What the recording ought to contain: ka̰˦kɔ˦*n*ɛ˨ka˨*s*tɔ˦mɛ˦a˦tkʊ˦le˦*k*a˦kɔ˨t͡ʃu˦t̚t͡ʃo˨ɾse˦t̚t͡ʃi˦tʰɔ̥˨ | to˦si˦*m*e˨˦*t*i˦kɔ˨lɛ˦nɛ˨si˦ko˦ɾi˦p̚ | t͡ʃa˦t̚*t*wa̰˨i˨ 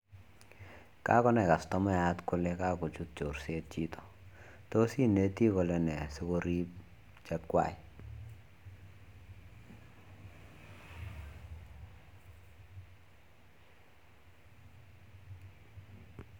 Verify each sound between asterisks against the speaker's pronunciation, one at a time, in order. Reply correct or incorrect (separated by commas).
correct, correct, correct, incorrect, correct, incorrect